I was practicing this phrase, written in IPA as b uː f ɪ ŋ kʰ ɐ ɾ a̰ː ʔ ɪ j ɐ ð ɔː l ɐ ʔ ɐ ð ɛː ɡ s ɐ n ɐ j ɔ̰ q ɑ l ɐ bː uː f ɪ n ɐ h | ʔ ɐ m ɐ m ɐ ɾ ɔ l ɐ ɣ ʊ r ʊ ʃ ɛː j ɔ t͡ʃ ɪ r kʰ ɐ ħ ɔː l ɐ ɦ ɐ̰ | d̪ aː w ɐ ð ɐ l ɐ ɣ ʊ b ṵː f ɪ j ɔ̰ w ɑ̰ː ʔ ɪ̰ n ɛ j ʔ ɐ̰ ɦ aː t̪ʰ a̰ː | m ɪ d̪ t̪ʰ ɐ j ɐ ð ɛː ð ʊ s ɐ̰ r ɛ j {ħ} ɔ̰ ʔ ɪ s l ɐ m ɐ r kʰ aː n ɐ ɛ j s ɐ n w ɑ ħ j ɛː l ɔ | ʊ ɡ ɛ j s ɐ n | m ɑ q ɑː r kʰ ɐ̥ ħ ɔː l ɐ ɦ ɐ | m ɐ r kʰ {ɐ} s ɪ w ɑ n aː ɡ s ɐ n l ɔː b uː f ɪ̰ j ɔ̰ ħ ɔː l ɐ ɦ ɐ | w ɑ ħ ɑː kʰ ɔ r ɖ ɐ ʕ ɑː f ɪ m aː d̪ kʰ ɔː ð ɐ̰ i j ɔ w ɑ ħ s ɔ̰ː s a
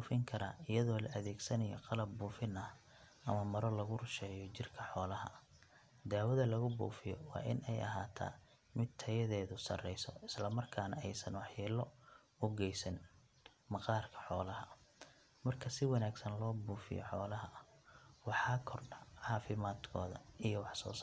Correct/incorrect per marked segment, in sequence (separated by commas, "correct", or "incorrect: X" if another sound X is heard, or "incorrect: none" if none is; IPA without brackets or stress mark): incorrect: s, correct